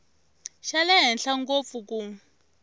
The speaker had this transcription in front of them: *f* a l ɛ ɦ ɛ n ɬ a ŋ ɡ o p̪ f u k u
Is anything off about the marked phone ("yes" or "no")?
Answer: yes